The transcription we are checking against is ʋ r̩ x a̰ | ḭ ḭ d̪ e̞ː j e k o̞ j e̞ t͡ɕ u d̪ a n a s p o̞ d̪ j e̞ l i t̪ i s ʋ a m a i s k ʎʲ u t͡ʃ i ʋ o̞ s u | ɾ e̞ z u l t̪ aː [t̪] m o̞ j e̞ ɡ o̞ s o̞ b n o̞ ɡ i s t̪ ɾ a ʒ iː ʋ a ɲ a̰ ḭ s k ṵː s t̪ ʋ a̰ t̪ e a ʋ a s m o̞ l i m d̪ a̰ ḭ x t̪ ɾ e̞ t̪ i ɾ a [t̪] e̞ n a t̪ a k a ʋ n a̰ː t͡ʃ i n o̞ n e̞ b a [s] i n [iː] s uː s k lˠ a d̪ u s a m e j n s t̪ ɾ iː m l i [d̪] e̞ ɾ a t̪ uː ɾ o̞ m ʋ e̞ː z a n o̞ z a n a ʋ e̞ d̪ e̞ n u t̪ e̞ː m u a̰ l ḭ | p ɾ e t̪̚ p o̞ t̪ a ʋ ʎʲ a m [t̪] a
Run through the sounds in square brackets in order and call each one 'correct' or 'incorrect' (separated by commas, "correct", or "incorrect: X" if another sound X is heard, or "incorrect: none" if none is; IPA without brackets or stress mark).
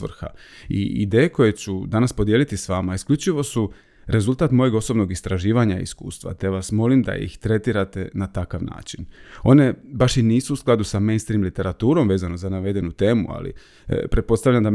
correct, correct, incorrect: ʃ, correct, incorrect: t̪, incorrect: d̪